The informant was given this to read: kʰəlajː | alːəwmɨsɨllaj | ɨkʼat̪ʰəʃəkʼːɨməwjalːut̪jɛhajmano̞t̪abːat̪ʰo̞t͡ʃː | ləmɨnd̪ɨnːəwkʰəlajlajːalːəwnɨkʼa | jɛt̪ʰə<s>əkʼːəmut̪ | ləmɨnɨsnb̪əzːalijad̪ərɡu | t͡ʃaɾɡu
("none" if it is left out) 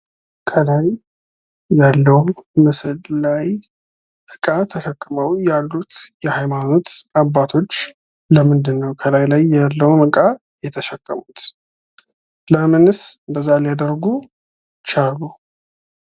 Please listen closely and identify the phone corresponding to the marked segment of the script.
ʃ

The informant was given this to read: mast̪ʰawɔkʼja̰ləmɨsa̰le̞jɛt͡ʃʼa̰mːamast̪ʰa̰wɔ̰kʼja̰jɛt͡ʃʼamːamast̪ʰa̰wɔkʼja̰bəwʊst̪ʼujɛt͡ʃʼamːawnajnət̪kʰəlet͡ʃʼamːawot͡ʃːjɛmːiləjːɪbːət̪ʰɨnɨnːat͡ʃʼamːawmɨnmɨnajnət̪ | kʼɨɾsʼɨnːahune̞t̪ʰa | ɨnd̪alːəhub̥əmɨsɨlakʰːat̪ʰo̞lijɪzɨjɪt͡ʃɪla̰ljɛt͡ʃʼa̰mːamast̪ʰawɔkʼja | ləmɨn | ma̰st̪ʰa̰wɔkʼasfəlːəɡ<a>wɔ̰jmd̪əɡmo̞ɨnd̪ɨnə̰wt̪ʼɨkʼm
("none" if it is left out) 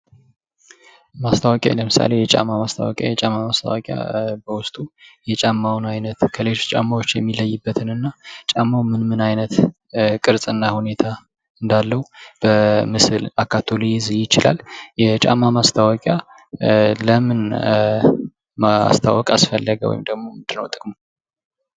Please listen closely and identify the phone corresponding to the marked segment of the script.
ə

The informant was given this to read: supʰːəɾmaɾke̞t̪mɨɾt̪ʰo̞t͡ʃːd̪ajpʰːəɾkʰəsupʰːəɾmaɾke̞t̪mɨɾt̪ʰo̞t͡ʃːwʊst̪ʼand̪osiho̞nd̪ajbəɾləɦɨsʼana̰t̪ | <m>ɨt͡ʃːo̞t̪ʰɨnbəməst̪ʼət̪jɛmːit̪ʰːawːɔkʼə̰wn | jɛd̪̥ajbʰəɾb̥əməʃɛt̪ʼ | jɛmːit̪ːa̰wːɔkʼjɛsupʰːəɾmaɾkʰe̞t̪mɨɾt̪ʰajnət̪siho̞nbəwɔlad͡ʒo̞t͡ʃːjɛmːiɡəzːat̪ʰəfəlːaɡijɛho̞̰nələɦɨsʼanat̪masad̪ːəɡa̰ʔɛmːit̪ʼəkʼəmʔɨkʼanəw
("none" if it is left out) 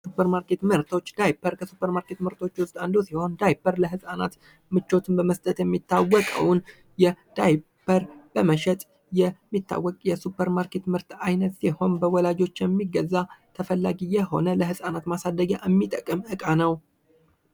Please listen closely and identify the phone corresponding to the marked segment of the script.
m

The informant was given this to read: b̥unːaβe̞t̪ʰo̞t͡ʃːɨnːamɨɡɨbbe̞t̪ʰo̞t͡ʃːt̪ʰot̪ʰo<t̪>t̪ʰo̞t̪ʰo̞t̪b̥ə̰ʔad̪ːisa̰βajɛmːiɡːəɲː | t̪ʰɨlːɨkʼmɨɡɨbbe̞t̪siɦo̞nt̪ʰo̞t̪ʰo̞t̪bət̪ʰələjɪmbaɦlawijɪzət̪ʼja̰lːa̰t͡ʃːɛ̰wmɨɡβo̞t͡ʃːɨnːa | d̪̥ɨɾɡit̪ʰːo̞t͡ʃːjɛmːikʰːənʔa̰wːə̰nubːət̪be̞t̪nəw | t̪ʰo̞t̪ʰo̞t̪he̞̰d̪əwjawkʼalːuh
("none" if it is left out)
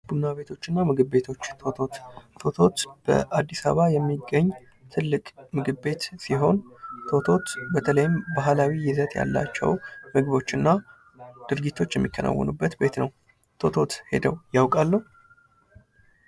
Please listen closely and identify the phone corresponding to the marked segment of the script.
t̪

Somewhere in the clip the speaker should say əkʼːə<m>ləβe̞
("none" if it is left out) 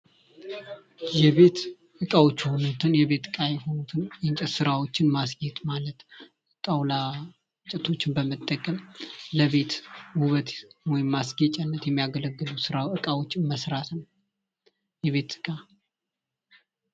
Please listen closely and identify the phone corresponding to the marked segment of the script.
m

